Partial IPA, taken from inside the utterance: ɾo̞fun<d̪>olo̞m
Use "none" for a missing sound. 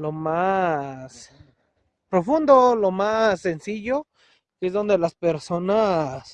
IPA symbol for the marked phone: d̪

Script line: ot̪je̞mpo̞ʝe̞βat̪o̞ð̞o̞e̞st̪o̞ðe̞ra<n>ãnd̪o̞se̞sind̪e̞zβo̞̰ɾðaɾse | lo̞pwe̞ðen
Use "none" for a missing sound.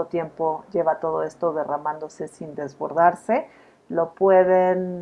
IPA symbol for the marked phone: m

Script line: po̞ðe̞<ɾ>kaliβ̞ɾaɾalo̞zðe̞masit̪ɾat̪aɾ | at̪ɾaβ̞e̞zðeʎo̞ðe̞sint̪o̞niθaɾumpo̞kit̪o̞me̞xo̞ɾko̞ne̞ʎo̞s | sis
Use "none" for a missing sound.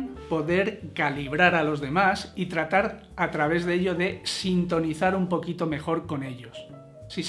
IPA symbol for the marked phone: ɾ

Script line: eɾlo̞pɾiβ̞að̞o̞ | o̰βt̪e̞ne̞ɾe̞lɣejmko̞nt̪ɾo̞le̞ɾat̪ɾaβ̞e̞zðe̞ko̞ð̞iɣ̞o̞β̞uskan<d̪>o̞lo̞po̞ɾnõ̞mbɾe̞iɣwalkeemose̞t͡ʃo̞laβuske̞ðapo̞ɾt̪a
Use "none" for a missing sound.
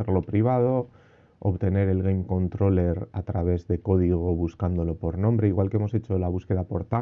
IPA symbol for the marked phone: d̪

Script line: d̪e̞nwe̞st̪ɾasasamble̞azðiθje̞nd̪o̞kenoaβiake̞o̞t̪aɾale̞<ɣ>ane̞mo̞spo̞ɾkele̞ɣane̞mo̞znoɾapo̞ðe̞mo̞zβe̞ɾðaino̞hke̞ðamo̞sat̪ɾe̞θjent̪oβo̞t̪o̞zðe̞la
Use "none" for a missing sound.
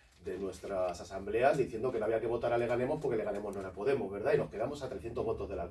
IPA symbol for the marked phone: ɣ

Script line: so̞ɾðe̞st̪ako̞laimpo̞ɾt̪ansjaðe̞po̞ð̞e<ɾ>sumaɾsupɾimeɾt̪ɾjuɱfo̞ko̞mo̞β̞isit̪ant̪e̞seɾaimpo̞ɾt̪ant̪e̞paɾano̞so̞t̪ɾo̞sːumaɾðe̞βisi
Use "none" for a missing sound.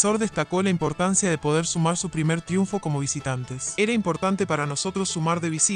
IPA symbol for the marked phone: ɾ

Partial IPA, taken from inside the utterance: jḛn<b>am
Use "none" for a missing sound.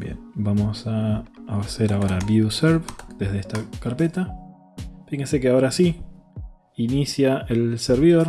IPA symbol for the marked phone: b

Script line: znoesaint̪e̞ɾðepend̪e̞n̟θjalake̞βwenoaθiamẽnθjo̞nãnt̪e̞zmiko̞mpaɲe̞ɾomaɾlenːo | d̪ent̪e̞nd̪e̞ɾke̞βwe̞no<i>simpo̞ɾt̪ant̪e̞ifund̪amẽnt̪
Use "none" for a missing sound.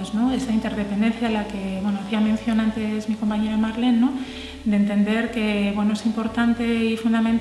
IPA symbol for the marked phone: e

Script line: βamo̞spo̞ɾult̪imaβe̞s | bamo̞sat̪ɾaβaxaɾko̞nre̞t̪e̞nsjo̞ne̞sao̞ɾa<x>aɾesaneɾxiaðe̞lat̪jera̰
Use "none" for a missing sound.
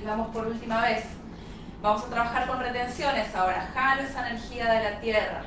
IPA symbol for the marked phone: x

